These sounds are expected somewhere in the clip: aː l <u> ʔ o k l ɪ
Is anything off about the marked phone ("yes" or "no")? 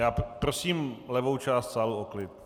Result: no